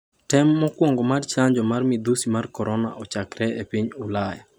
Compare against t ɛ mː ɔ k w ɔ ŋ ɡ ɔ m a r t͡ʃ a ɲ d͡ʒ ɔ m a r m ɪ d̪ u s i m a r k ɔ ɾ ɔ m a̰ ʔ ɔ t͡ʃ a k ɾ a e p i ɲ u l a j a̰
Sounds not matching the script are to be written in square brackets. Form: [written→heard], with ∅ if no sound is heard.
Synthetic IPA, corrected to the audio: t ɛ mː ɔ k w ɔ ŋ ɡ ɔ m a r t͡ʃ a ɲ d͡ʒ ɔ m a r m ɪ d̪ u s i m a r k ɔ ɾ ɔ [m→n] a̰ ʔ ɔ t͡ʃ a k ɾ [a→ɛ] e p i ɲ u l a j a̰